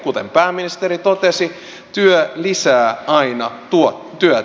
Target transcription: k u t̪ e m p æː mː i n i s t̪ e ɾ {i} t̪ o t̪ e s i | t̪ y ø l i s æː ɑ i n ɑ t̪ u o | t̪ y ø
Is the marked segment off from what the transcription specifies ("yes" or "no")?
no